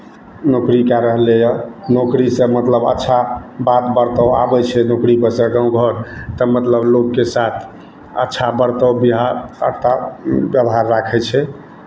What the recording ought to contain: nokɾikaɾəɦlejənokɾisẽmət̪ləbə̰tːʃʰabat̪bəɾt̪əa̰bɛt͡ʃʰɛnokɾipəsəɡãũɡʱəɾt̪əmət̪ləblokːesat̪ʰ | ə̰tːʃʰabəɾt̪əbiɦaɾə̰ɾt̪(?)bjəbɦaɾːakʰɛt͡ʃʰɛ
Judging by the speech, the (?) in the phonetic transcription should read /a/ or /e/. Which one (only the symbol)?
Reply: a